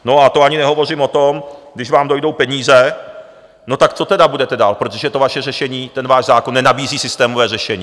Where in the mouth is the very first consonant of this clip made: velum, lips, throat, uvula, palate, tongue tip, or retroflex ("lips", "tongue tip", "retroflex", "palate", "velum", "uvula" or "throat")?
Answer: tongue tip